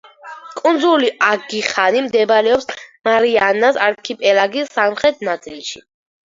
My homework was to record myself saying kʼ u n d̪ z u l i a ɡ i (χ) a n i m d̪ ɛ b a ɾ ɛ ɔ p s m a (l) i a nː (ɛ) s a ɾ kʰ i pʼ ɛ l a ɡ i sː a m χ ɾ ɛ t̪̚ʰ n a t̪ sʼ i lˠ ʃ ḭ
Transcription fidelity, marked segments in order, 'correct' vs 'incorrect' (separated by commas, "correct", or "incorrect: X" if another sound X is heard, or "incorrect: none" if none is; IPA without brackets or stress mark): correct, incorrect: ɾ, incorrect: a